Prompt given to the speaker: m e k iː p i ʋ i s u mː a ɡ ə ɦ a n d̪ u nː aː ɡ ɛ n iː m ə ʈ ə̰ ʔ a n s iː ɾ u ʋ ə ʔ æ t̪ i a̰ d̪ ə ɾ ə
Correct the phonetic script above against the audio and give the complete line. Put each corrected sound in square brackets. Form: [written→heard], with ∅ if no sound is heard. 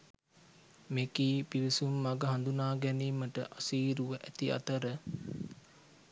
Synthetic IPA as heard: m e k iː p i ʋ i s u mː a ɡ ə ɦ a n d̪ u [nː→n] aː ɡ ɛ n iː m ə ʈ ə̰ ʔ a [n→∅] s iː ɾ u ʋ ə ʔ æ t̪ i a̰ [d̪→t̪] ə ɾ ə